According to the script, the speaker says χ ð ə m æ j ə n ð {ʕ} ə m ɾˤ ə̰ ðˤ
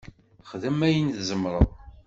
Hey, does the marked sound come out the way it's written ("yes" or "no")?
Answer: no